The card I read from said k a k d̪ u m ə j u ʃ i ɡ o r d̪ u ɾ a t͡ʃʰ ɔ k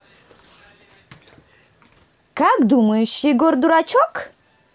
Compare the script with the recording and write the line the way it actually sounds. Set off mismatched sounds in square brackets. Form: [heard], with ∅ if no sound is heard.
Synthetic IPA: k a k d̪ u m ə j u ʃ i ɡ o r d̪ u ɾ a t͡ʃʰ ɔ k